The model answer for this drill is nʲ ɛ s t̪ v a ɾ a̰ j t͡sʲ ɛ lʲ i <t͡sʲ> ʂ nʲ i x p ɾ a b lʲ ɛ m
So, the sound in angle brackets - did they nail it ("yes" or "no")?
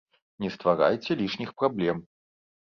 no